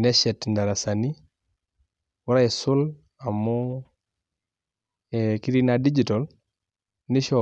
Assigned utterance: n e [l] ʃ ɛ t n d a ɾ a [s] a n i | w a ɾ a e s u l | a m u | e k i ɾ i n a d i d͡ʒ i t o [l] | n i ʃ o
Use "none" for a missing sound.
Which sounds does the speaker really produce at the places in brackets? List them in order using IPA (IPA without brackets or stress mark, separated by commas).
none, s, l